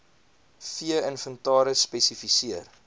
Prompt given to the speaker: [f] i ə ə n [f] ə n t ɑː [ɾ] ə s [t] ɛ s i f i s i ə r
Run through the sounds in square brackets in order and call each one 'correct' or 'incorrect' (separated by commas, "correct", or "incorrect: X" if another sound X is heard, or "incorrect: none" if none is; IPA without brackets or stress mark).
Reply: correct, correct, correct, incorrect: p